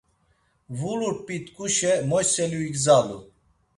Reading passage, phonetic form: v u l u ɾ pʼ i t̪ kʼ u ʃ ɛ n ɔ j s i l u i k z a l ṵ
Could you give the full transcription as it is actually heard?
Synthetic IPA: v u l u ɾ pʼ i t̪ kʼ u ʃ ɛ m ɔ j s ɛ l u i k z a l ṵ